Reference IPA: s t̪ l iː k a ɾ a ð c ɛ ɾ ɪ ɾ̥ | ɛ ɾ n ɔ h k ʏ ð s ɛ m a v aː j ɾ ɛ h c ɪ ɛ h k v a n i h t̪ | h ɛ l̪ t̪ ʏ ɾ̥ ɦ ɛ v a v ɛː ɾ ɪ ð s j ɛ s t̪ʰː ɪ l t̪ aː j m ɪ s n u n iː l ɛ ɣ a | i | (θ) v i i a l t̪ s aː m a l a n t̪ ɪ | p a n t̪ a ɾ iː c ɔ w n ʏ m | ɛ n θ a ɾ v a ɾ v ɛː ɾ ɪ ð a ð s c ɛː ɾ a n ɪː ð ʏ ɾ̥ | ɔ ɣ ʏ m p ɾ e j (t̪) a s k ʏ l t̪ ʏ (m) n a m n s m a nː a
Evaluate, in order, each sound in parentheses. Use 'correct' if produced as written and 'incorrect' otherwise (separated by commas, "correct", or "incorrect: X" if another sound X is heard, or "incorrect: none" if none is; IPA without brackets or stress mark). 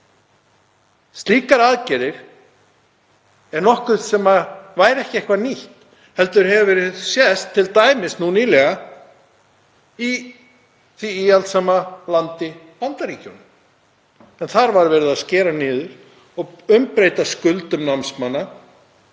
correct, correct, correct